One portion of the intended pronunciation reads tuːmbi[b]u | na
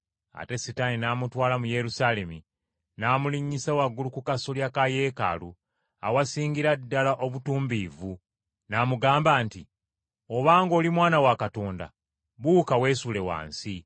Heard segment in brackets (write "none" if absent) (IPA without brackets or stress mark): v